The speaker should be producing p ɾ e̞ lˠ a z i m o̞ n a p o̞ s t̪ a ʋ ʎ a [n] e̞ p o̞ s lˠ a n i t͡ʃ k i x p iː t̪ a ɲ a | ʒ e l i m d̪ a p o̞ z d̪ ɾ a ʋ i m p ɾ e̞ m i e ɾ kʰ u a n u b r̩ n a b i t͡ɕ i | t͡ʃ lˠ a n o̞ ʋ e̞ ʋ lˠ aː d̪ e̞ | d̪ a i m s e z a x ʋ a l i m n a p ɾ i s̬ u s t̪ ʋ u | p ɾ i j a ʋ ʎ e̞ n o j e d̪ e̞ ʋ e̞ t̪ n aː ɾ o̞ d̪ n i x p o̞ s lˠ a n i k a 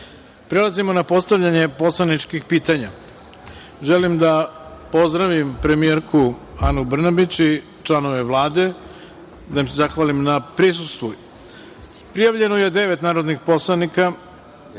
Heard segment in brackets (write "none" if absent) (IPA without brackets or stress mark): ɲ